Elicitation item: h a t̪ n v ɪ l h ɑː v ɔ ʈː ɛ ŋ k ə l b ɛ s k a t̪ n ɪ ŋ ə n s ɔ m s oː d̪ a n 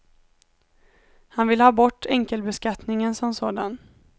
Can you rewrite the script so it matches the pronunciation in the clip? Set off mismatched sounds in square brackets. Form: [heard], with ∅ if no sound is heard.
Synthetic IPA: h a [∅] n v ɪ l h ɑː [b] ɔ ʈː ɛ ŋ k ə l b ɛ s k a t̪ n ɪ ŋ ə n s ɔ m s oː d̪ a n